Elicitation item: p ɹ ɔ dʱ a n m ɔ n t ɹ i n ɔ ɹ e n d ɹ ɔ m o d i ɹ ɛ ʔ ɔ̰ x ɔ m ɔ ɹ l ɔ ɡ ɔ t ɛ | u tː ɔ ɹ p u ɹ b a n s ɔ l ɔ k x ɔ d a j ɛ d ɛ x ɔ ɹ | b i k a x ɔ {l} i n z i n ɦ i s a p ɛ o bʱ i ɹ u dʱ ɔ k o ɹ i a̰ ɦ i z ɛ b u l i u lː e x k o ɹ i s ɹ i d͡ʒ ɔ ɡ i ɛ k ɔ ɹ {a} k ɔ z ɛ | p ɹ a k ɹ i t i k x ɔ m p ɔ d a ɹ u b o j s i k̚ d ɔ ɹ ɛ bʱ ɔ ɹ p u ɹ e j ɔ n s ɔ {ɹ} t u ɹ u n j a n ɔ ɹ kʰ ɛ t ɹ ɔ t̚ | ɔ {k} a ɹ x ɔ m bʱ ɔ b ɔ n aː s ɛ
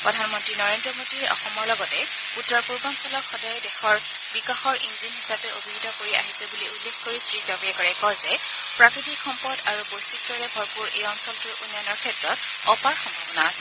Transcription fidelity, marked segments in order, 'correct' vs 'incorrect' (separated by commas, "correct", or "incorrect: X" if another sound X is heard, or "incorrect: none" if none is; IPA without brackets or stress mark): incorrect: ɹ, incorrect: ɛ, incorrect: l, incorrect: p